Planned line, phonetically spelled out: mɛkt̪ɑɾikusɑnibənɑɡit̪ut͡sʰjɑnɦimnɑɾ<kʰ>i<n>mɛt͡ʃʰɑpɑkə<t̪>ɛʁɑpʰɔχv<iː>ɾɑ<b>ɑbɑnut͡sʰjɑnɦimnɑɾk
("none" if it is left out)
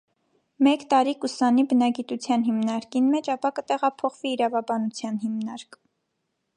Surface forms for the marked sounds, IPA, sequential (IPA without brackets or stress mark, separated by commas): k, n, t̪, iː, v